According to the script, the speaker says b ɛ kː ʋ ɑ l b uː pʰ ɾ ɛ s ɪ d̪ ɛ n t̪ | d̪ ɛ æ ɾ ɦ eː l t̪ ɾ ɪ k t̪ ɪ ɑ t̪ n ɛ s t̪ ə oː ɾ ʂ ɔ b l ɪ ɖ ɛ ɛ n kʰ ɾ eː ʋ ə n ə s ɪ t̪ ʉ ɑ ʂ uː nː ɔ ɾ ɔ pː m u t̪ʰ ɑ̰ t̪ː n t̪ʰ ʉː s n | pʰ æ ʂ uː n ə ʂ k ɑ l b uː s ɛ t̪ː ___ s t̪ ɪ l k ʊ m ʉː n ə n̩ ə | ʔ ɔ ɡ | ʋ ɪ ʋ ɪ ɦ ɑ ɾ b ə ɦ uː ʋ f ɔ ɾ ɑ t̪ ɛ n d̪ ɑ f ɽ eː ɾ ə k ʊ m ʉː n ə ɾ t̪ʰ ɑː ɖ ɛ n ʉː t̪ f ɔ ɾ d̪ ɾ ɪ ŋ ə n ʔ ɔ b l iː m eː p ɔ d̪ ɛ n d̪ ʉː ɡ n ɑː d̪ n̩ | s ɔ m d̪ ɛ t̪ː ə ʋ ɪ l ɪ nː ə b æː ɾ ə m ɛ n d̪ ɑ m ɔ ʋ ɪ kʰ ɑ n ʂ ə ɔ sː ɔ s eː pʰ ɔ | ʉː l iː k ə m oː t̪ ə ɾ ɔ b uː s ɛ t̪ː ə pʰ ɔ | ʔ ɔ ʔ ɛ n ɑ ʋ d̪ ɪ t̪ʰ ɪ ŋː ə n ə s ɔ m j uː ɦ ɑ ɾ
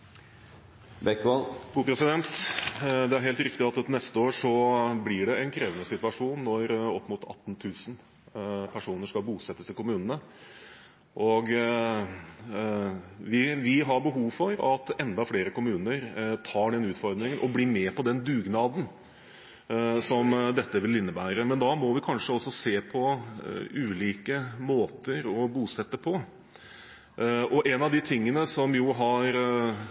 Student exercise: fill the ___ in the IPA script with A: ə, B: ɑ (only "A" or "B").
A